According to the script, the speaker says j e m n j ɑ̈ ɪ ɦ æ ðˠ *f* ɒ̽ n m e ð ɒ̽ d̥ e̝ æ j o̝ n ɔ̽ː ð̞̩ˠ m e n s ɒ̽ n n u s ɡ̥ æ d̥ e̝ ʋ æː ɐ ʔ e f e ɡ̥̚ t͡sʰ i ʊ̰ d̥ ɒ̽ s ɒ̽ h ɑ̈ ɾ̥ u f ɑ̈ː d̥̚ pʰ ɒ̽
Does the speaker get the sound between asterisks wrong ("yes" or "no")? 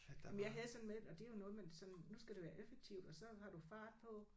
yes